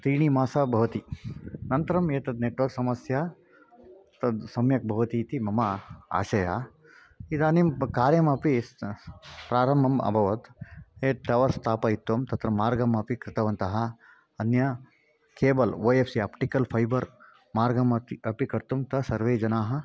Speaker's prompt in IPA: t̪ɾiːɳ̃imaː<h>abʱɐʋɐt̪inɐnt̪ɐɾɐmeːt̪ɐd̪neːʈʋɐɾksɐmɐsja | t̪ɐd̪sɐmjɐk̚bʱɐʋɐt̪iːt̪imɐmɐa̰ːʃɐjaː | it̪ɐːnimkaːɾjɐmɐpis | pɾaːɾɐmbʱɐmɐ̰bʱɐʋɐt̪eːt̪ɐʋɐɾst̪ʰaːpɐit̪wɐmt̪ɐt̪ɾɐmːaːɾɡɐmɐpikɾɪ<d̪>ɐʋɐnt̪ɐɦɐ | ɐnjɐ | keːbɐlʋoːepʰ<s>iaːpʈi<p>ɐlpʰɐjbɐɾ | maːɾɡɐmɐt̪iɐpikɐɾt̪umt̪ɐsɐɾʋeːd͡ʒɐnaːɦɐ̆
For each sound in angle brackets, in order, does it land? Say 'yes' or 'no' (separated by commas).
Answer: no, no, yes, no